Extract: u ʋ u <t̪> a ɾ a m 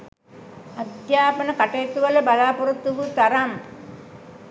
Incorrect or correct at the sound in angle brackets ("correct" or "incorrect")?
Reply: correct